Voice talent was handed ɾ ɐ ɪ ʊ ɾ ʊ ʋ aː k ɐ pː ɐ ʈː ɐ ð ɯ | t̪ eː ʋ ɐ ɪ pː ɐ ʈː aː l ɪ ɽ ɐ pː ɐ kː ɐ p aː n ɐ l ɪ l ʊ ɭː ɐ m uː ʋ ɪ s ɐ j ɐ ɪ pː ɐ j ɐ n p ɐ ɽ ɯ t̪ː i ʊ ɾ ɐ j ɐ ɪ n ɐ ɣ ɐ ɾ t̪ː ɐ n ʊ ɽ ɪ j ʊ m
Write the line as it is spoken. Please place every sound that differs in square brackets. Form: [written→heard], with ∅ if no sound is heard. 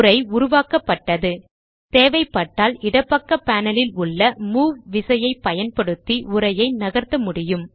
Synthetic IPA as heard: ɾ ɐ ɪ ʊ ɾ ʊ ʋ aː k ɐ pː ɐ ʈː ɐ ð ɯ | t̪ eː ʋ ɐ ɪ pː ɐ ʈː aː l ɪ ɽ ɐ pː ɐ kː ɐ p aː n ɐ l ɪ l ʊ ɭː ɐ m uː ʋ ɪ s ɐ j ɐ ɪ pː ɐ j ɐ n p ɐ ɽ ɯ t̪ː i ʊ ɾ ɐ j ɐ ɪ n ɐ ɣ ɐ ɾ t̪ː ɐ [n→m] ʊ ɽ ɪ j [ʊ→ɯ] m

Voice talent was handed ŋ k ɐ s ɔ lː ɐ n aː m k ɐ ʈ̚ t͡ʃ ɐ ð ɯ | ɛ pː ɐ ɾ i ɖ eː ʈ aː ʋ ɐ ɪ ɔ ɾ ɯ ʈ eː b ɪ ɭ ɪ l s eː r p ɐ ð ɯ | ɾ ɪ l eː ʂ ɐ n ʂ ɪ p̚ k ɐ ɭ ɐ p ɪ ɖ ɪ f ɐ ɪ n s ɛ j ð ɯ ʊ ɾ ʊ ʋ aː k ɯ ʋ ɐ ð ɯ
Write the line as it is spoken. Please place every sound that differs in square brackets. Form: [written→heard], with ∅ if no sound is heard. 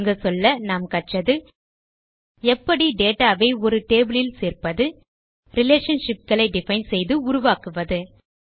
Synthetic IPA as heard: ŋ [k→ɡ] ɐ s ɔ lː ɐ n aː m k ɐ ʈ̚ t͡ʃ ɐ ð ɯ | ɛ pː ɐ [ɾ→ɽ] i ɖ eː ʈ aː ʋ ɐ ɪ ɔ ɾ ɯ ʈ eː b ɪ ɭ ɪ l s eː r p ɐ ð ɯ | ɾ ɪ l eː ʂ ɐ n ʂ ɪ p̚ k ɐ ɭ ɐ [p→∅] ɪ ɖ ɪ f ɐ ɪ n s ɛ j ð ɯ ʊ ɾ ʊ ʋ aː k ɯ ʋ ɐ ð ɯ

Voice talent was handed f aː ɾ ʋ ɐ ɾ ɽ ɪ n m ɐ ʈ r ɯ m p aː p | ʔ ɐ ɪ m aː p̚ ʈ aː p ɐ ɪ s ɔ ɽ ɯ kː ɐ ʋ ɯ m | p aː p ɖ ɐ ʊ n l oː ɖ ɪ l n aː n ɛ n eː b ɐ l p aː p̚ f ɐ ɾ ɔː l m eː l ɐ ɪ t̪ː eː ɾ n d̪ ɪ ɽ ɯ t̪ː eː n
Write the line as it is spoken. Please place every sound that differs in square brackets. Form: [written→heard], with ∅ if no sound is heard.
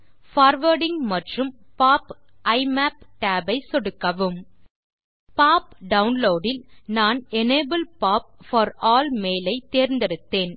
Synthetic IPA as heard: f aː ɾ ʋ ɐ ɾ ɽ ɪ [n→ŋ] m ɐ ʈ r ɯ m p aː p | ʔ ɐ ɪ m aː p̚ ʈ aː [p→b] ɐ ɪ s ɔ ɽ ɯ kː ɐ ʋ ɯ m | p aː p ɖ ɐ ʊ n l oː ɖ ɪ l n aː n ɛ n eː b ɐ l p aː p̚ f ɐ ɾ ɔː l m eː l ɐ ɪ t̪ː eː ɾ n d̪ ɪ [ɽ→ɾ] ɯ t̪ː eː n

